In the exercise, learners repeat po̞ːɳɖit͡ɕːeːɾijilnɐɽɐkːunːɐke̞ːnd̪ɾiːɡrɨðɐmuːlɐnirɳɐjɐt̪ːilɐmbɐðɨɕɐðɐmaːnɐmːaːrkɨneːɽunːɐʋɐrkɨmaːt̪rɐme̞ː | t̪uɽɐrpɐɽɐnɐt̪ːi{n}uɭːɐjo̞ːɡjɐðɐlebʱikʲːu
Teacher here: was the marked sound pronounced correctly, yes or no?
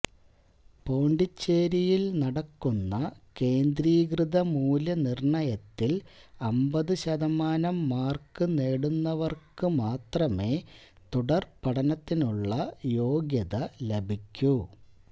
yes